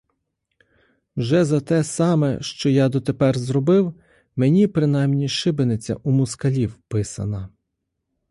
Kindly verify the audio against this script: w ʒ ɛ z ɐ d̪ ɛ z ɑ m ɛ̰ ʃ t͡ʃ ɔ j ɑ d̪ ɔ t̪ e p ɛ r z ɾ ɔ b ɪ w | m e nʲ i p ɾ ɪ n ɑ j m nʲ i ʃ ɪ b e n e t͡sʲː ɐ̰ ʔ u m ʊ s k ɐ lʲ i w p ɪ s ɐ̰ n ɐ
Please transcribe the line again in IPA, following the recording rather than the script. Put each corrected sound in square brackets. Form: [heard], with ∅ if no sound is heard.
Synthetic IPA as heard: w ʒ ɛ z ɐ [t̪] ɛ [s] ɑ m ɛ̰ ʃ t͡ʃ ɔ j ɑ d̪ ɔ t̪ e p ɛ r z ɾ ɔ b ɪ w | m e nʲ i p ɾ ɪ n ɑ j m nʲ i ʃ ɪ b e n e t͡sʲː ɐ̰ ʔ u m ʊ s k ɐ lʲ i w p ɪ s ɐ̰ n ɐ